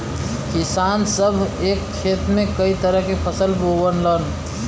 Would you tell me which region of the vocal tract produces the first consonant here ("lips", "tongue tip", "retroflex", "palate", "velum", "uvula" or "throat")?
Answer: velum